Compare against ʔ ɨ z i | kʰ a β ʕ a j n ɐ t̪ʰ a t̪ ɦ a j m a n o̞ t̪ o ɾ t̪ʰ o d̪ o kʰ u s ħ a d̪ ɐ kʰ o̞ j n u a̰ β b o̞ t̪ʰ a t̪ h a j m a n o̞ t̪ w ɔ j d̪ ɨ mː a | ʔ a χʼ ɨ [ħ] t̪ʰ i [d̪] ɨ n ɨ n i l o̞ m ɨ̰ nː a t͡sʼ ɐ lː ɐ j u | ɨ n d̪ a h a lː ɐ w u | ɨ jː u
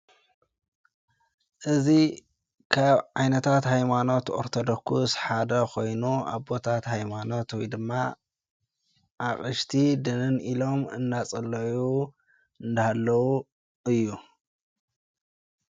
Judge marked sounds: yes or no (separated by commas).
no, yes